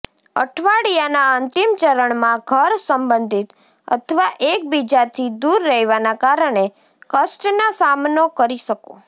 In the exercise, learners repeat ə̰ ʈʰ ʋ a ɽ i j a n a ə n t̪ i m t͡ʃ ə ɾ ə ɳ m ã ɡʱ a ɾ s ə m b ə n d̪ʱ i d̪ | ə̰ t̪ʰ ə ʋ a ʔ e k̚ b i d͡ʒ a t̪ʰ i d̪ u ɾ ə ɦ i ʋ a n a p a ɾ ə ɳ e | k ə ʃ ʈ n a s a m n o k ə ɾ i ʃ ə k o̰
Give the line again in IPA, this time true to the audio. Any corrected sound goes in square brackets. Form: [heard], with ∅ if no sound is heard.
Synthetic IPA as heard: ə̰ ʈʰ ʋ a ɽ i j a n a ə n t̪ i m t͡ʃ ə ɾ ə ɳ m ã ɡʱ [ə] ɾ s ə m b ə n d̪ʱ i [t̪] | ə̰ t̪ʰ ə ʋ a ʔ e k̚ b i d͡ʒ a t̪ʰ i d̪ u [ɾː] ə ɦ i ʋ a n a [k] a ɾ ə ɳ e | k ə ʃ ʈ n a s a m n o k ə ɾ i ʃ ə k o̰

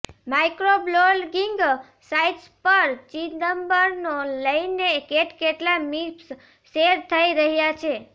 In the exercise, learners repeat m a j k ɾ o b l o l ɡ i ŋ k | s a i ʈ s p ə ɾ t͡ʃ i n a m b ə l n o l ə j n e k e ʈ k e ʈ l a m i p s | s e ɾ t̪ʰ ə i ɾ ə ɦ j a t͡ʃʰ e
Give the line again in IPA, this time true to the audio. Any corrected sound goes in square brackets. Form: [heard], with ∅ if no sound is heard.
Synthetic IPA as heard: m a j k ɾ o b l o l ɡ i ŋ [ɡ] | s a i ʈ s p ə ɾ t͡ʃ i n [ə] m b ə [ɾ] n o l ə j n e k e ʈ k e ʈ l a m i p s | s e ɾ t̪ʰ ə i ɾ ə ɦ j a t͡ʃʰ e

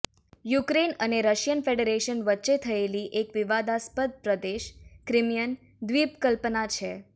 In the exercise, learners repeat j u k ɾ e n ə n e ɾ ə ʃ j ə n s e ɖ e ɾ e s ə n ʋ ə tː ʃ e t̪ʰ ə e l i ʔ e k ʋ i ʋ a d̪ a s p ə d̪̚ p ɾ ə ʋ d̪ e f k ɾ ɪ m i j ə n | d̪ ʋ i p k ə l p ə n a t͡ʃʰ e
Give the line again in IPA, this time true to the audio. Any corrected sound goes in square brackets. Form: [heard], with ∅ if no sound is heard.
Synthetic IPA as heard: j u k ɾ e n ə n e ɾ ə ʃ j ə n [f] e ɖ e ɾ e [ʃ] ə n ʋ ə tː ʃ e t̪ʰ ə e l i ʔ e k ʋ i ʋ a d̪ a s p ə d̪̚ p ɾ ə [∅] d̪ e [ʃ] k ɾ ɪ m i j ə n | d̪ ʋ i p k ə l p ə n a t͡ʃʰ e

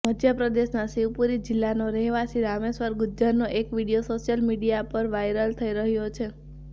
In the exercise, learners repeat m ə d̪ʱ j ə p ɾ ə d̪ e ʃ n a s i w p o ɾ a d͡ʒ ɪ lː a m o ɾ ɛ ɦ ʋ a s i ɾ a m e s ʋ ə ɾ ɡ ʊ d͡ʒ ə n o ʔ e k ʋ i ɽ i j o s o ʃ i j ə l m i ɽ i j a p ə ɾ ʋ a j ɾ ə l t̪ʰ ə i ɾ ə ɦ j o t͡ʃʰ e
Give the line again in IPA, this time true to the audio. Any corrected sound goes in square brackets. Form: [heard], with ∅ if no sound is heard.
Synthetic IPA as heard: m ə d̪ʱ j ə p ɾ ə d̪ e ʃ n a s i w p [u] ɾ [i] d͡ʒ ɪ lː a [n] o ɾ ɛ ɦ ʋ a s i ɾ a m e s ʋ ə ɾ ɡ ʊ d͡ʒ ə n o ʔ e k ʋ i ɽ i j o s o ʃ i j ə l m i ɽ i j a p ə ɾ ʋ a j ɾ ə l t̪ʰ ə i ɾ ə ɦ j o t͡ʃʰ e

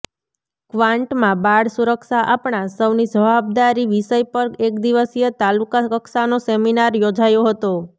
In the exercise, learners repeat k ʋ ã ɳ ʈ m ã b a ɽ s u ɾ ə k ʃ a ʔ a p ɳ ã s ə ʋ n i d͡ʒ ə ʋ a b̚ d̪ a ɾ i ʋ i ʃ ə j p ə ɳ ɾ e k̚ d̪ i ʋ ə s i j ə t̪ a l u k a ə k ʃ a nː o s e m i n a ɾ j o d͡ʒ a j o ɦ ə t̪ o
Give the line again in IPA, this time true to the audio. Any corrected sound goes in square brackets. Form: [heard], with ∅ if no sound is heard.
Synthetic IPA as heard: k ʋ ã ɳ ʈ m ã b a ɽ s u ɾ ə k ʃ a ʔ a p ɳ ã s ə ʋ n i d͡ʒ ə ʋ a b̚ d̪ a ɾ i ʋ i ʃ ə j p ə [∅] ɾ e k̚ d̪ i ʋ ə s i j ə t̪ a l u k a ə k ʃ a [n] o s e m i n a ɾ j o d͡ʒ a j o ɦ ə t̪ o

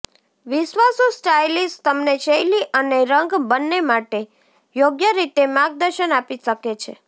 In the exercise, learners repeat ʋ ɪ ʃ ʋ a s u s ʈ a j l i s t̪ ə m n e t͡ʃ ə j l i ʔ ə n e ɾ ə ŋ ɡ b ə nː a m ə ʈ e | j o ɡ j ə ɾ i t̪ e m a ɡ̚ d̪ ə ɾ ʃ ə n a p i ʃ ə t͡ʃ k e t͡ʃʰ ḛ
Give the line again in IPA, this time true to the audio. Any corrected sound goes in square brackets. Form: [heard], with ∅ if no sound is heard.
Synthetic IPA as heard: ʋ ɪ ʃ ʋ a s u s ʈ a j l i s t̪ ə m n e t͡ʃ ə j l i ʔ ə n e ɾ ə ŋ ɡ b ə nː [e] m [a] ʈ e | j o ɡ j ə ɾ i t̪ e m a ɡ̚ d̪ ə ɾ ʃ ə n a p i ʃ ə [∅] k e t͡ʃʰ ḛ

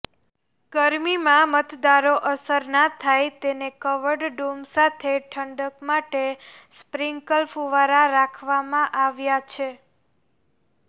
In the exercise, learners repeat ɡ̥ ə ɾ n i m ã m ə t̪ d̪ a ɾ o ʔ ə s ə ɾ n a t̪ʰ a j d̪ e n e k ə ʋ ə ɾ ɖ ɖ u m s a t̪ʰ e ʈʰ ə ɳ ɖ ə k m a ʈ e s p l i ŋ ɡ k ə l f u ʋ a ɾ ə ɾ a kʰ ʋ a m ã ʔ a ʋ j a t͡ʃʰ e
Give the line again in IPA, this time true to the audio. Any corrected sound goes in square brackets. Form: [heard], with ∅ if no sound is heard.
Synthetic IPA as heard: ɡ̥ ə ɾ [m] i m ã m ə t̪ d̪ a ɾ o ʔ ə s ə ɾ n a t̪ʰ a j [t̪] e n e k ə ʋ ə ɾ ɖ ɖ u m s a t̪ʰ e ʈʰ ə ɳ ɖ ə k m a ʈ e s p [ɾ] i ŋ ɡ k ə l f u ʋ a ɾ [a] ɾ a kʰ ʋ a m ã ʔ a ʋ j a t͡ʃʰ e

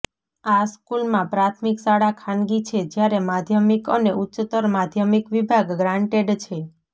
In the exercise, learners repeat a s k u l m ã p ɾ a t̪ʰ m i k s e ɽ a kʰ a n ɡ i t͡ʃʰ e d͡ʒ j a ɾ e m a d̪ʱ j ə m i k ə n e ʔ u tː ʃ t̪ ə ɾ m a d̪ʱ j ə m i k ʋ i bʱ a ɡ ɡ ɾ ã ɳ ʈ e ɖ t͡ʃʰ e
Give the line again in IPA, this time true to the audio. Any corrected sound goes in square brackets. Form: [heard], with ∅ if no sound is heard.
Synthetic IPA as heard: a s k u l m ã p ɾ a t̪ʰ m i k s [a] ɽ a kʰ a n ɡ i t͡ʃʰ e d͡ʒ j a ɾ e m a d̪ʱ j ə m i k ə n e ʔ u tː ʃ t̪ ə ɾ m a d̪ʱ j ə m i k ʋ i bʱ a ɡ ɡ ɾ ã ɳ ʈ e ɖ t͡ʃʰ e

